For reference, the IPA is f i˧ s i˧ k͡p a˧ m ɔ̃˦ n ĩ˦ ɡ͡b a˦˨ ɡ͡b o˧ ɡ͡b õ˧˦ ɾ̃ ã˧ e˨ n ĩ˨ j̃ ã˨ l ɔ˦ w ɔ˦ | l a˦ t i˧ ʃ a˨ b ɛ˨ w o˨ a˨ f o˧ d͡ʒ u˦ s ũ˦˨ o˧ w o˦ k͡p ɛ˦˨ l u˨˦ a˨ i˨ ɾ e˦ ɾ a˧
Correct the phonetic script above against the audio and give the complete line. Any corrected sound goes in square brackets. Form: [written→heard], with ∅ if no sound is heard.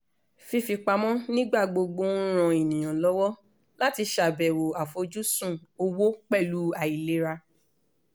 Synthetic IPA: f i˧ [s→f] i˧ k͡p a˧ m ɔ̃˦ n ĩ˦ ɡ͡b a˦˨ ɡ͡b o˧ ɡ͡b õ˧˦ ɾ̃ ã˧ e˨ n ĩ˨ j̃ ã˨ l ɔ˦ w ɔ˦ | l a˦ t i˧ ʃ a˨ b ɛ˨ w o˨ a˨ f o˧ d͡ʒ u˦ s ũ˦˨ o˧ w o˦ k͡p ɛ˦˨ l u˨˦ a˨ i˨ [ɾ→l] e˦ ɾ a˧